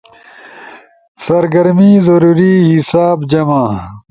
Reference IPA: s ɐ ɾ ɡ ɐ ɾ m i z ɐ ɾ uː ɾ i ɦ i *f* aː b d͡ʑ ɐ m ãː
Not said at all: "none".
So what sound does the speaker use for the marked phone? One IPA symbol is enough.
s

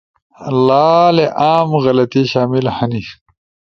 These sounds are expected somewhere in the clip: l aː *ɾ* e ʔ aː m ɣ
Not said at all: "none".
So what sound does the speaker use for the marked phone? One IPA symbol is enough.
l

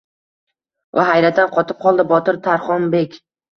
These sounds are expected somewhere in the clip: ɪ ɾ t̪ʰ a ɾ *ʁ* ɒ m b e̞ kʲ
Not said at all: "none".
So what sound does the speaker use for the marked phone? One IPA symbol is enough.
χ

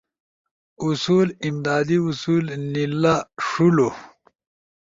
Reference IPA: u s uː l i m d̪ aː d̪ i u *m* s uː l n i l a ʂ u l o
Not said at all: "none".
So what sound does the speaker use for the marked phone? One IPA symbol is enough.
none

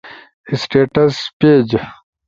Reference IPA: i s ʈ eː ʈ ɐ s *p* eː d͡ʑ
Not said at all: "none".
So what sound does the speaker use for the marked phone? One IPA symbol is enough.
p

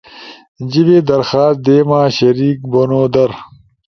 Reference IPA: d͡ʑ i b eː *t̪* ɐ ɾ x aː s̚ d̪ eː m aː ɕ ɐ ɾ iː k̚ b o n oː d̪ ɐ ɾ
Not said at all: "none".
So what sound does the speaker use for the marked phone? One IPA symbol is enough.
d̪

